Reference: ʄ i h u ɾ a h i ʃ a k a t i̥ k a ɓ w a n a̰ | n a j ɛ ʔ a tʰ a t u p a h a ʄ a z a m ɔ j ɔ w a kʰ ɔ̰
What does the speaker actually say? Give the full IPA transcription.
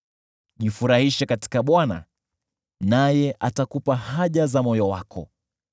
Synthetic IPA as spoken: ʄ i f u ɾ a h i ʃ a k a t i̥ k a ɓ w a n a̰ | n a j ɛ ʔ a t a k u p a h a ʄ a z a m ɔ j ɔ w a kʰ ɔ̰